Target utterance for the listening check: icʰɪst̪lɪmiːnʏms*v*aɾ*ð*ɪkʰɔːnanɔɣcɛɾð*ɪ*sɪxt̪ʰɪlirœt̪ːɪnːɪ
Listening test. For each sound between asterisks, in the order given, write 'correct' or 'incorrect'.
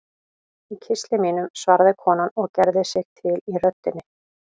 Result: correct, correct, correct

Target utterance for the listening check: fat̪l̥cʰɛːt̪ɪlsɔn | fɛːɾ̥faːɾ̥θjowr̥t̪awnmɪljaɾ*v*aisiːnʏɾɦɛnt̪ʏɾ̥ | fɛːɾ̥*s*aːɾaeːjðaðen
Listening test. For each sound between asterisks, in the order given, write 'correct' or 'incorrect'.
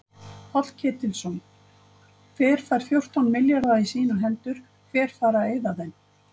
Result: incorrect, incorrect

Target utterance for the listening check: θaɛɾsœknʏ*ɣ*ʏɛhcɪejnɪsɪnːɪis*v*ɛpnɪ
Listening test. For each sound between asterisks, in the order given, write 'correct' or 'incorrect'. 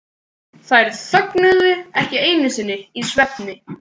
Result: incorrect, correct

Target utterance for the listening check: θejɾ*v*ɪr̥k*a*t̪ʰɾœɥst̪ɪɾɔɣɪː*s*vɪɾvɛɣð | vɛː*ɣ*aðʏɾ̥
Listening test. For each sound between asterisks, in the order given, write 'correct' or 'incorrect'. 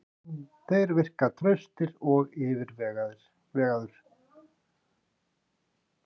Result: correct, correct, incorrect, correct

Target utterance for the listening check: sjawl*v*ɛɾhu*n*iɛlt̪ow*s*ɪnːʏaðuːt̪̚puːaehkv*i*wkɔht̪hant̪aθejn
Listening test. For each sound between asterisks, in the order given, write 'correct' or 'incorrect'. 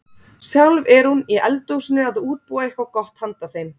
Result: correct, correct, correct, incorrect

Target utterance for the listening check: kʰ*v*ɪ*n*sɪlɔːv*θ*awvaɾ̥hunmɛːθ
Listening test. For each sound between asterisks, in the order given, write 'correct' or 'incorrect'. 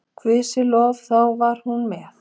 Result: correct, incorrect, correct

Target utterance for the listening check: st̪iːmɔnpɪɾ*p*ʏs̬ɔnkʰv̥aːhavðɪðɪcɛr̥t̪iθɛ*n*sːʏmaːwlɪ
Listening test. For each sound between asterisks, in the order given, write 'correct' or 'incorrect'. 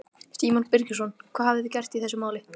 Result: incorrect, incorrect

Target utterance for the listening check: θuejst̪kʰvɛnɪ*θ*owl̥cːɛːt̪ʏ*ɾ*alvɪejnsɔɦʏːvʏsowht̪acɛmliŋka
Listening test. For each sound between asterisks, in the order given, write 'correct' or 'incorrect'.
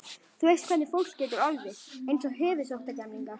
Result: incorrect, correct

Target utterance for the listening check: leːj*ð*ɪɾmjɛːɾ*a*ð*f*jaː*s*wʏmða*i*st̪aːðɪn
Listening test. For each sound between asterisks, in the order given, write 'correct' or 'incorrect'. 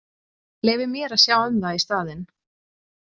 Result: incorrect, correct, incorrect, incorrect, correct

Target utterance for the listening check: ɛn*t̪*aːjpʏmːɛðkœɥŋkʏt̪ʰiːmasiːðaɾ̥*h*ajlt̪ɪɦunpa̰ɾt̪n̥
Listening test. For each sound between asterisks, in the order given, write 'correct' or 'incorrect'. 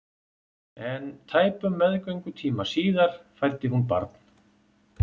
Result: incorrect, incorrect

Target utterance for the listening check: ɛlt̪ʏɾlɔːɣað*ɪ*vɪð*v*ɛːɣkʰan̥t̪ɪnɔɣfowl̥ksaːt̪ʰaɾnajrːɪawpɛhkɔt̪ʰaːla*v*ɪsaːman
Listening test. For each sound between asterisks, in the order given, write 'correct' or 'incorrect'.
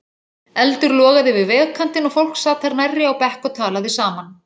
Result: correct, correct, incorrect

